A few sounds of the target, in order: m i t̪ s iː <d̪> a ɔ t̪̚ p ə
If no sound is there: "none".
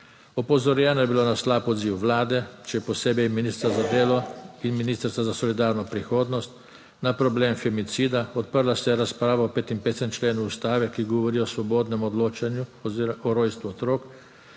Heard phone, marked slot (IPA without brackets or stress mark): d̪